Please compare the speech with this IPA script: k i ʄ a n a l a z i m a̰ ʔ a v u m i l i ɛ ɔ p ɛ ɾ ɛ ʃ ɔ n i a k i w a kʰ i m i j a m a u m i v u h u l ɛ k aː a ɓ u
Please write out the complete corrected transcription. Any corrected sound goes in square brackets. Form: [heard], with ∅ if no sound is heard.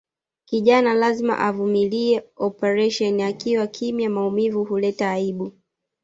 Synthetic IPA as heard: k i ʄ a n a l a z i m a̰ ʔ a v u m i l i ɛ ɔ p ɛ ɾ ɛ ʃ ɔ n i a k i w a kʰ i m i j a m a u m i v u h u l ɛ [t] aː [i] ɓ u